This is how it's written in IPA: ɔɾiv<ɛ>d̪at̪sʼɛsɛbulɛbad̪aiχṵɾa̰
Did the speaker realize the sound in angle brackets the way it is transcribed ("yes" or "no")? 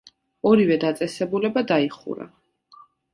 yes